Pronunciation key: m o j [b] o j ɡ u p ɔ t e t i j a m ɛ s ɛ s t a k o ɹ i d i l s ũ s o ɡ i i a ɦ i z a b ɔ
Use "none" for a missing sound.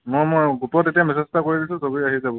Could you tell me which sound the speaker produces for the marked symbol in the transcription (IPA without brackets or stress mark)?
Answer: m